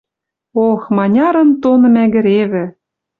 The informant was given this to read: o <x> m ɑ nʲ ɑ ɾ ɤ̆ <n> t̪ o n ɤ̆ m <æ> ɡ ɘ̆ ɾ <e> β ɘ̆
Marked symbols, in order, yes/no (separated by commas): yes, yes, yes, yes